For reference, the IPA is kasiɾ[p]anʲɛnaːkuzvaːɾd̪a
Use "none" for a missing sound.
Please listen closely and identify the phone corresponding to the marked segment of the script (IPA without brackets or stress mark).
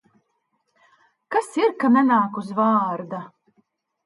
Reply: k